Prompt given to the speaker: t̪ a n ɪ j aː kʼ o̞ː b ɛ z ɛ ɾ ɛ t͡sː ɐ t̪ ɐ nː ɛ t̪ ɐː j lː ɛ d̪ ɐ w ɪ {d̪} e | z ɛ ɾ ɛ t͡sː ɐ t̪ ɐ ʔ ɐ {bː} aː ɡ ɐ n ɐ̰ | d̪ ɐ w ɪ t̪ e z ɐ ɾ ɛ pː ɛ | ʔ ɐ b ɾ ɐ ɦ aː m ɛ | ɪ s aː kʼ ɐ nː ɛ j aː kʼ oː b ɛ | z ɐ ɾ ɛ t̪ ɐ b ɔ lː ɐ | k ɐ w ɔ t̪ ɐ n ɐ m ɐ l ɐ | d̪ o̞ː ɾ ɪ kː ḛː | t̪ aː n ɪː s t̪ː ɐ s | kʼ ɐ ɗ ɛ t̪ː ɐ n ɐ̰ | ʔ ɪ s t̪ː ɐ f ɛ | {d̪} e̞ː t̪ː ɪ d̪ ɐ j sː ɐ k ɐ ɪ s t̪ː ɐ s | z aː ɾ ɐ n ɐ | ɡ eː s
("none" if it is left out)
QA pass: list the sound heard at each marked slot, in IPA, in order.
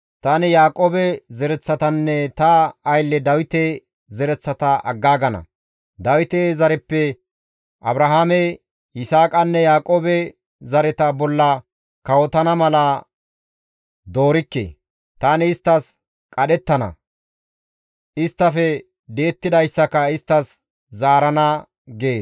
t̪, ɡː, d̪

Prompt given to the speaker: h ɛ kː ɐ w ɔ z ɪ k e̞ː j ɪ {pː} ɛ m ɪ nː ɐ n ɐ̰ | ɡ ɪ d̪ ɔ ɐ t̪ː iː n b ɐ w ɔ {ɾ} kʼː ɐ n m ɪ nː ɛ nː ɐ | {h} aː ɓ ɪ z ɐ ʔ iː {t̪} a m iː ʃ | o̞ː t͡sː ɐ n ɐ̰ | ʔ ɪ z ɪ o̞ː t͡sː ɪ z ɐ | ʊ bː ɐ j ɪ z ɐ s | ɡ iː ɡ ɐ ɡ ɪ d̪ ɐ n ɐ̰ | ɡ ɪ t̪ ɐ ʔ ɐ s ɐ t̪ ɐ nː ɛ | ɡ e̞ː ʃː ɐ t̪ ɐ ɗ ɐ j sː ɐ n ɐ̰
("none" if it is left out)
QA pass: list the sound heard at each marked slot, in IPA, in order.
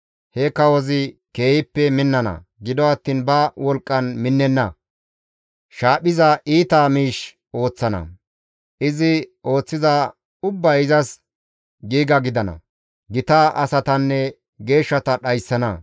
pː, l, ʃ, t̪

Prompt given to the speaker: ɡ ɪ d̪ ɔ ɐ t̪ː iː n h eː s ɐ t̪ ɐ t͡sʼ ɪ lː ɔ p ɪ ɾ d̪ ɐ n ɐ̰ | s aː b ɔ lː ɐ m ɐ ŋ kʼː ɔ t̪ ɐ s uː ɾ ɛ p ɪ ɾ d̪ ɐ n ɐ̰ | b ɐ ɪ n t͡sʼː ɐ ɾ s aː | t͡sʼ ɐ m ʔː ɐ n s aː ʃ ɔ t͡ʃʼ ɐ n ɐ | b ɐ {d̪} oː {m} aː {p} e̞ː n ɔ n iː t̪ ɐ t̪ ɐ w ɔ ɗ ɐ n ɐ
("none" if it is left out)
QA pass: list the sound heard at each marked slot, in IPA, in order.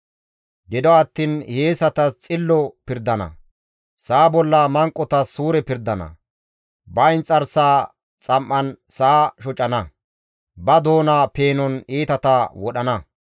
d̪, n, p

